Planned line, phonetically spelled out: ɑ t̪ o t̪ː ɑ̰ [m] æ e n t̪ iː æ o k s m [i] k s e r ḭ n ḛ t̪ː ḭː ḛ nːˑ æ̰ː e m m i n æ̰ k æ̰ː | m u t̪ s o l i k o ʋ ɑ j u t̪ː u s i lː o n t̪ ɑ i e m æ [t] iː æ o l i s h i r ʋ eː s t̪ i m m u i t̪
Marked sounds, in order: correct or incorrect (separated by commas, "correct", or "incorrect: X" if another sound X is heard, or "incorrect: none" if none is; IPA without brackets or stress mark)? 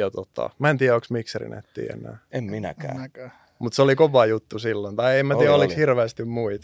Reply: correct, correct, correct